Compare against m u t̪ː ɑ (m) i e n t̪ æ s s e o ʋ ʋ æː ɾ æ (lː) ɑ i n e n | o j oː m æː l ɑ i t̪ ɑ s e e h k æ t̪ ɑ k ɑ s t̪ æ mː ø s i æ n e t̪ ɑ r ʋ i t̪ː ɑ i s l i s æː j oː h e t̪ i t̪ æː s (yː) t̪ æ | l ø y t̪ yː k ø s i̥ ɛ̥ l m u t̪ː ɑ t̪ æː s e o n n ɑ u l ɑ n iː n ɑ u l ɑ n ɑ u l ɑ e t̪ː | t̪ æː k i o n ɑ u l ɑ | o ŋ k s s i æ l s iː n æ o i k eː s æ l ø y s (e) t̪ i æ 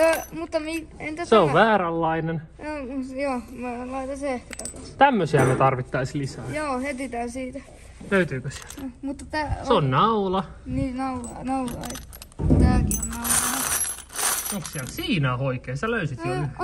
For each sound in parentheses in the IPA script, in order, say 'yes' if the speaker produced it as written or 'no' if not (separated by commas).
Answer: yes, yes, no, no